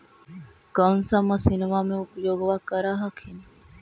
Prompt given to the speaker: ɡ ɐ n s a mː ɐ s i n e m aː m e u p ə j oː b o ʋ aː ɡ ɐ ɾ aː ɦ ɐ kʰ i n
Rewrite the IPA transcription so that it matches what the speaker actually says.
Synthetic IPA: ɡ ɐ n s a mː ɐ s i n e m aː m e u p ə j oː ɡ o ʋ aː k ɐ ɾ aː ɦ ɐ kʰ i n